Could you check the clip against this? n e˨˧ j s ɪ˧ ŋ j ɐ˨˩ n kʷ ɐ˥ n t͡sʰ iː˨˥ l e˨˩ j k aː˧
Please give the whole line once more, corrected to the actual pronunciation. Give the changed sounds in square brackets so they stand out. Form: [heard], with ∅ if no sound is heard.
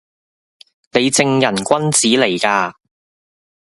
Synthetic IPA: n e˨˧ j [t͡s] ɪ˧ ŋ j ɐ˨˩ n kʷ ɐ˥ n [t͡s] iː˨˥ l e˨˩ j k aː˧